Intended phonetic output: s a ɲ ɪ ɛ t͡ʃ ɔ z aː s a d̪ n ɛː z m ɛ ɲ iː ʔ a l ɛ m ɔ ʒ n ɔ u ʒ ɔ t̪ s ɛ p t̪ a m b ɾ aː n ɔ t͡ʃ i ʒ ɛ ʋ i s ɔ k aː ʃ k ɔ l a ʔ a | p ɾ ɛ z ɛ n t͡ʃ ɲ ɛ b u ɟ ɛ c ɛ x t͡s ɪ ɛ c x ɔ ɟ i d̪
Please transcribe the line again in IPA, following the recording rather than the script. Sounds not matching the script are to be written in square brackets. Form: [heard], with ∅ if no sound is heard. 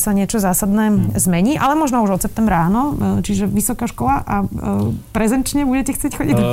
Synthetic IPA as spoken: s a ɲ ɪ ɛ t͡ʃ ɔ z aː s a d̪ n ɛː z m ɛ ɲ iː ʔ a l ɛ m ɔ ʒ n ɔ u ʒ ɔ t̪ s ɛ p t̪ [ɛ] m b ɾ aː n ɔ t͡ʃ i ʒ ɛ ʋ i s ɔ k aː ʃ k ɔ l a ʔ a | p ɾ ɛ z ɛ n t͡ʃ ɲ ɛ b u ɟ ɛ c ɛ x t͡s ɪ ɛ c x ɔ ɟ i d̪